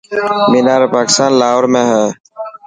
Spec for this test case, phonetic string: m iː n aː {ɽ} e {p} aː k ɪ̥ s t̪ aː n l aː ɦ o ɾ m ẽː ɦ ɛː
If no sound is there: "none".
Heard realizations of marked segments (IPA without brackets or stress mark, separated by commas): ɾ, p